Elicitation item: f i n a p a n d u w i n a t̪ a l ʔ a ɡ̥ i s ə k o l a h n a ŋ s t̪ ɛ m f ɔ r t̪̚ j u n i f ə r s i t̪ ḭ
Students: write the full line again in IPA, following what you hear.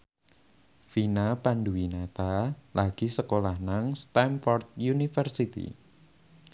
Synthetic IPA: f i n a p a n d u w i n a t̪ a l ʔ a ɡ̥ i s ə k o l a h n a ŋ s t̪ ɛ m f ɔ r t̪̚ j u n i f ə r s i t̪ ḭ